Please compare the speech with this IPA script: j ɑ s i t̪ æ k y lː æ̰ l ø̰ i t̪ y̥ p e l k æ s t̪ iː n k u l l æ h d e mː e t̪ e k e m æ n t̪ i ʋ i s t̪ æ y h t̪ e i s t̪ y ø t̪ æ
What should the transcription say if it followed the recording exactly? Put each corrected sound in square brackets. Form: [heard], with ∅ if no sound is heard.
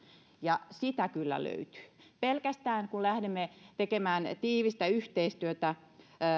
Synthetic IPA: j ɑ s i t̪ æ k y lː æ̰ l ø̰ [y] t̪ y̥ p e l k æ s t̪ [æː] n k u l l æ h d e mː e t̪ e k e m [æː] n t̪ [iː] ʋ i s t̪ æ y h t̪ e i s t̪ y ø t̪ æ